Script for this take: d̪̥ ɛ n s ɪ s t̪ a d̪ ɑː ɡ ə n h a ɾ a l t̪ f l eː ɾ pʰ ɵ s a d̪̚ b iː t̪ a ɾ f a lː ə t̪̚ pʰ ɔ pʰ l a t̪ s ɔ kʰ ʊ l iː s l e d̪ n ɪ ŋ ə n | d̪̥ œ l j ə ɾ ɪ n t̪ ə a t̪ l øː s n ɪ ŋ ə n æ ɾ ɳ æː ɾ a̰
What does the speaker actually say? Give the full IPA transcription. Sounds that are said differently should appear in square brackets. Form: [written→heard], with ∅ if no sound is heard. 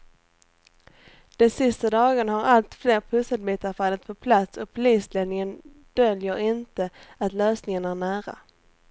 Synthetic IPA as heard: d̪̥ ɛ n s ɪ s t̪ a d̪ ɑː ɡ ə n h a ɾ a l t̪ f l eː ɾ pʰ ɵ s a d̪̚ b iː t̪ a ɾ f a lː ə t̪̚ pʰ ɔ pʰ l a t̪ s ɔ [kʰ→pʰ] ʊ l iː s l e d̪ n ɪ ŋ ə n | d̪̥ œ l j ə ɾ ɪ n t̪ ə a t̪ l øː s n ɪ ŋ ə n æ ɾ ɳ æː ɾ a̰